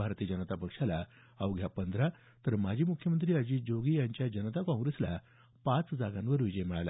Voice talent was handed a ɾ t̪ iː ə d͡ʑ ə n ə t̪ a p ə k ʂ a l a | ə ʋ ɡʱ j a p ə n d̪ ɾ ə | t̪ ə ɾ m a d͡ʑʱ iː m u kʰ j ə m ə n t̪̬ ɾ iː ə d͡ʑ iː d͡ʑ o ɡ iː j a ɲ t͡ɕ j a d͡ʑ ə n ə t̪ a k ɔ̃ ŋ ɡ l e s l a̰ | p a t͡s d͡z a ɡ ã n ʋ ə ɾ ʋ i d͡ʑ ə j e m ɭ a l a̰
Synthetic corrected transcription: a ɾ t̪ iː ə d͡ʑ ə n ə t̪ a p ə k ʂ a l a | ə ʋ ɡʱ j a p ə n d̪ ɾ a | t̪ ə ɾ m a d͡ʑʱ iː m u kʰ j ə m ə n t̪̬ ɾ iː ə d͡ʑ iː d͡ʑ o ɡ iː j a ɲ t͡ɕ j a d͡ʑ ə n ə t̪ a k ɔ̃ ŋ ɡ ɾ e s l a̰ | p a t͡s d͡z a ɡ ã n ʋ ə ɾ ʋ i d͡ʑ ə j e m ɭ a l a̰